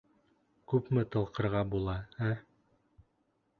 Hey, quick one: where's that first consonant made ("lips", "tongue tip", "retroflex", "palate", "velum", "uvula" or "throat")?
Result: velum